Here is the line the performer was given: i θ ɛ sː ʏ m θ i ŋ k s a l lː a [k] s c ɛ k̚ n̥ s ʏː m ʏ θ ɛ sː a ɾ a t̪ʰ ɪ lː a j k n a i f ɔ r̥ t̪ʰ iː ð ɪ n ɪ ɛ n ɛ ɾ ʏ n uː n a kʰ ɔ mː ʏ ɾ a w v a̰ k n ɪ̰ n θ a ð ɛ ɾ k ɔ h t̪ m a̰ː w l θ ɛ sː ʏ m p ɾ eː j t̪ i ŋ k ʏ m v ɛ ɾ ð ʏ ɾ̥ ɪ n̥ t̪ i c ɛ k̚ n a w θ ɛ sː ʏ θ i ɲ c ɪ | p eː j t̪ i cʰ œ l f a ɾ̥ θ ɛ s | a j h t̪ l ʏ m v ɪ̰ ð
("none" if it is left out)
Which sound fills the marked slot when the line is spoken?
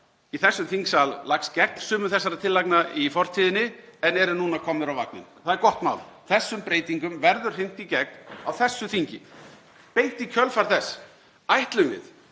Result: k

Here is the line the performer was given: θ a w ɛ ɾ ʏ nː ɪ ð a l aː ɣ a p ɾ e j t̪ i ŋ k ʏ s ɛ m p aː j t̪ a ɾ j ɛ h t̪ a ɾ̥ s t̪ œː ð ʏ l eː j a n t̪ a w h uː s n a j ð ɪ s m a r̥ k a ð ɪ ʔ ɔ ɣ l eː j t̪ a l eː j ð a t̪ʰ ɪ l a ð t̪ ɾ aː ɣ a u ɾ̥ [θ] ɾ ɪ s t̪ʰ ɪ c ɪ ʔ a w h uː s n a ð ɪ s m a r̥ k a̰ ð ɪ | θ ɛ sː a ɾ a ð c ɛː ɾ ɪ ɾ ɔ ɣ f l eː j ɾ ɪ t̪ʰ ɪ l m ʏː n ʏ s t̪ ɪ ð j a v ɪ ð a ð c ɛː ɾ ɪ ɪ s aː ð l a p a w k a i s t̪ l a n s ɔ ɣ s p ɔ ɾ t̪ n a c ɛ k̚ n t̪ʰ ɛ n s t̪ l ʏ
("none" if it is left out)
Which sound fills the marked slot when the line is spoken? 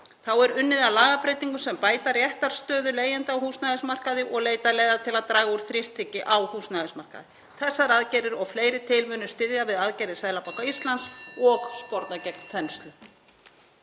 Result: θ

